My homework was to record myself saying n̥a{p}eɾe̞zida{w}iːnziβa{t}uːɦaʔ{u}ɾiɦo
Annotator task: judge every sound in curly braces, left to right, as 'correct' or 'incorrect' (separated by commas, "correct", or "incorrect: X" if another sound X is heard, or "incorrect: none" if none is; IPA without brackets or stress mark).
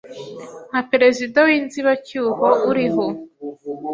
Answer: correct, correct, incorrect: c, correct